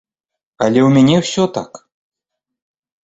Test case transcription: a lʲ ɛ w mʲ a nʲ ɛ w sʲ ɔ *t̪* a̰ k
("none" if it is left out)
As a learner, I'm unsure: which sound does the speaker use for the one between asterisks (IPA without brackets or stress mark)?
t̪